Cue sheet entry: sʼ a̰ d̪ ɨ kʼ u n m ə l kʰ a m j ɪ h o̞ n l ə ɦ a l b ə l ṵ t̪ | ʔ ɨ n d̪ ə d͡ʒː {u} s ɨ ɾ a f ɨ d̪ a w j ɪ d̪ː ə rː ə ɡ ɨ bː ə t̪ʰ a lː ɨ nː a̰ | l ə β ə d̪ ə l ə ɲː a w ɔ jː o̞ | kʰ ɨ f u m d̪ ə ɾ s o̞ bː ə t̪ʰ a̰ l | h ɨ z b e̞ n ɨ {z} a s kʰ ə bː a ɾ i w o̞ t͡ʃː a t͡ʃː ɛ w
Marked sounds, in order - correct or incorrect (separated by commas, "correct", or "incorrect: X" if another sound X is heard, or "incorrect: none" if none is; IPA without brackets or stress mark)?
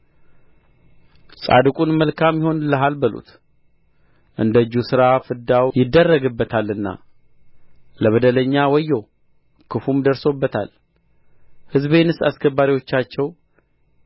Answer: correct, incorrect: s